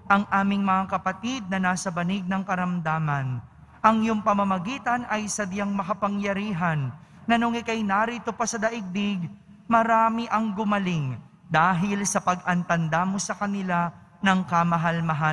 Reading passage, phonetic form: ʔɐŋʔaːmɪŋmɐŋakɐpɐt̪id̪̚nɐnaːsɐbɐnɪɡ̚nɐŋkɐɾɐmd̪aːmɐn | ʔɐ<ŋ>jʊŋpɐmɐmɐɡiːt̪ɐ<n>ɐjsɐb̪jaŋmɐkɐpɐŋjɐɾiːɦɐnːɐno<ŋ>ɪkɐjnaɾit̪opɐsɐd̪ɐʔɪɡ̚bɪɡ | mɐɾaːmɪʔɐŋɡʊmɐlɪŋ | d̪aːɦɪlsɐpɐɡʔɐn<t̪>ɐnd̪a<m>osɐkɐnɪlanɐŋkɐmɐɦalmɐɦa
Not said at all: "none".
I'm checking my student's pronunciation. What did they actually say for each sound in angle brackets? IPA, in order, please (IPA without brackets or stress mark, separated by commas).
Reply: ŋ, n, ŋ, t̪, m